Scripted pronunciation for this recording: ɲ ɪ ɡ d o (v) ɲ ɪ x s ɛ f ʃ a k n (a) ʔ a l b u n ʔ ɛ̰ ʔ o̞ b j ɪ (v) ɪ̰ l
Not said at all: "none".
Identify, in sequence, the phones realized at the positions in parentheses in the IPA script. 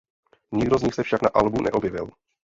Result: z, a, v

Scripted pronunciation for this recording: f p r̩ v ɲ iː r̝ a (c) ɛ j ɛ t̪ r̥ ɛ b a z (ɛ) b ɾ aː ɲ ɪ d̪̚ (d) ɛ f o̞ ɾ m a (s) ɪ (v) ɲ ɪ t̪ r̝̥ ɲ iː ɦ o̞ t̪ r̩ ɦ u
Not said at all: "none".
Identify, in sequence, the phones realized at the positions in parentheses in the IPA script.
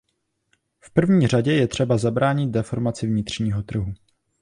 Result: ɟ, a, d, t͡s, v

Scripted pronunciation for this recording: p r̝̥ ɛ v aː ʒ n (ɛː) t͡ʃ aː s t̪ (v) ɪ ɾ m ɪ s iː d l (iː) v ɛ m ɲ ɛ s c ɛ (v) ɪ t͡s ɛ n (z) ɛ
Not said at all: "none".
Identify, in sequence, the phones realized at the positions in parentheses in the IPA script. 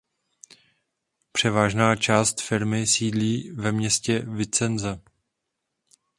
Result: aː, f, iː, v, z

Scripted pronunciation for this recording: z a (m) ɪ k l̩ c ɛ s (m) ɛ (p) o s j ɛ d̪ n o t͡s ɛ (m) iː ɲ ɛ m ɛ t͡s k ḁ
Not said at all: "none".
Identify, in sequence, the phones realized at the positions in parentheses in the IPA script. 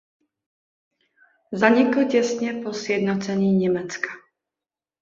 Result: ɲ, ɲ, p, ɲ

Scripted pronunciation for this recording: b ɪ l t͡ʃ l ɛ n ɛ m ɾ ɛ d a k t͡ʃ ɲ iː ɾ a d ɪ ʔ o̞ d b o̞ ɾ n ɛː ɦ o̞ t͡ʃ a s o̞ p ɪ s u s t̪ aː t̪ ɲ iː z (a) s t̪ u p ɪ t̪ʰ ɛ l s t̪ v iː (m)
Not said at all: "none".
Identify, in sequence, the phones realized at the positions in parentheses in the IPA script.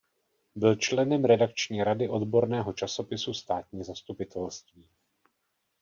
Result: a, none

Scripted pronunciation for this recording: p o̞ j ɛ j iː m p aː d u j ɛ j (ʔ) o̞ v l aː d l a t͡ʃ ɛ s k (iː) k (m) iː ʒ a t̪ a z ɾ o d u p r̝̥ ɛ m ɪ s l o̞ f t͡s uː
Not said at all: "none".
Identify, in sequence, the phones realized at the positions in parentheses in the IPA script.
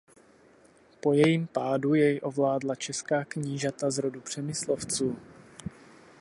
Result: ʔ, aː, ɲ

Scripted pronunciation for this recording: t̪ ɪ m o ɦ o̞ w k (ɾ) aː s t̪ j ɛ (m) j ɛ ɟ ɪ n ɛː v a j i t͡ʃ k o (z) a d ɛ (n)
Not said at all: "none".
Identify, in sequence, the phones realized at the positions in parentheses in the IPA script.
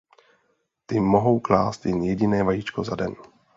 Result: l, n, z, n

